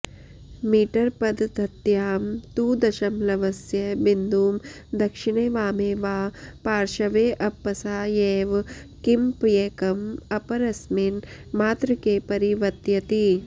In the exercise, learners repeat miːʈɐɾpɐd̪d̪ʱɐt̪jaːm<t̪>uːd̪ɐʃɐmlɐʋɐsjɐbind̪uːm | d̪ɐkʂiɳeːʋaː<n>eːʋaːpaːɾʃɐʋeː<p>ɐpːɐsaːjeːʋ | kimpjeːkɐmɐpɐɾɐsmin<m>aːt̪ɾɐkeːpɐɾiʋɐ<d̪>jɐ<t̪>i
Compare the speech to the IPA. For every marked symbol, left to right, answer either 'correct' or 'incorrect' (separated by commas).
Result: correct, incorrect, incorrect, correct, incorrect, correct